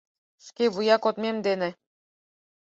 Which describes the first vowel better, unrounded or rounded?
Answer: unrounded